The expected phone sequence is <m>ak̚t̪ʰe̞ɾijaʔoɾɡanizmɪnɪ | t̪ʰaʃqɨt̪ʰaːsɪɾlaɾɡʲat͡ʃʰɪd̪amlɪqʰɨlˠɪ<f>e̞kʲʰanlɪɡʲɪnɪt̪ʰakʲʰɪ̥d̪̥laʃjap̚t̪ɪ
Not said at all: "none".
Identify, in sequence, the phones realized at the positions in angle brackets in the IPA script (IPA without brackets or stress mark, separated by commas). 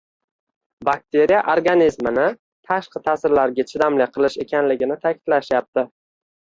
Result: b, ʃ